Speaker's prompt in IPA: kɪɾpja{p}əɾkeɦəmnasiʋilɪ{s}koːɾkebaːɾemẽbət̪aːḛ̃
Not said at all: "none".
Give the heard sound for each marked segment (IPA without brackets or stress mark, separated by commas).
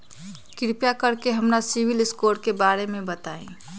k, s